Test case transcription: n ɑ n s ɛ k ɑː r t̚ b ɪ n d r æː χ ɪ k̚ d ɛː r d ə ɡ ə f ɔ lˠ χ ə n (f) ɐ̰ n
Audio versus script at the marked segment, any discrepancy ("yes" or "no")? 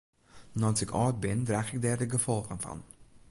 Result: no